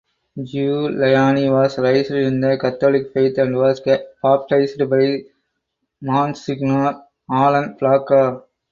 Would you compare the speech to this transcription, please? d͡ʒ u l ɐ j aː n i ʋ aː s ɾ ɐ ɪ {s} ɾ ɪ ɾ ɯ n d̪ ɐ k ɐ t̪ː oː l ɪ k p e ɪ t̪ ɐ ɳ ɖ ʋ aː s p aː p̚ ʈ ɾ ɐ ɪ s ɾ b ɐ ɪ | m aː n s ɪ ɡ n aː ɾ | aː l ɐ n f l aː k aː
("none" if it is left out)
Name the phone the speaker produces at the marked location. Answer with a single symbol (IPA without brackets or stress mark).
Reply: s